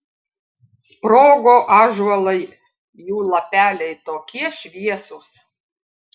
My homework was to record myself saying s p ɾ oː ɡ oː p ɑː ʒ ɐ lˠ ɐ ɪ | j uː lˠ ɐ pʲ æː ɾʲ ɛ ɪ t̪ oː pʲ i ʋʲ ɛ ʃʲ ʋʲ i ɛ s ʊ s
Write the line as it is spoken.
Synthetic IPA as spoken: s p ɾ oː ɡ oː ʔ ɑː ʒ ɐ lˠ ɐ ɪ | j uː lˠ ɐ pʲ æː lʲ ɛ ɪ t̪ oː kʲ i ɛ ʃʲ ʋʲ i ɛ s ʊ s